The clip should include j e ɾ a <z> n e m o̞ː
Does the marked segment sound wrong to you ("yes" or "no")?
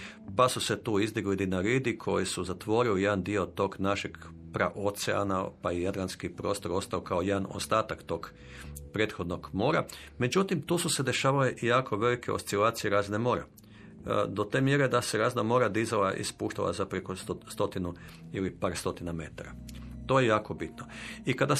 no